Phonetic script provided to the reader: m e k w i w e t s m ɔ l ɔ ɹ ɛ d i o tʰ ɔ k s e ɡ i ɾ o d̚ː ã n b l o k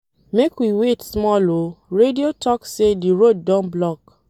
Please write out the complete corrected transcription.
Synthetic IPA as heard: m e k w i w e t s m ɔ l o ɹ e d i o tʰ ɔ k s e d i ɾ o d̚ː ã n b l ɔ k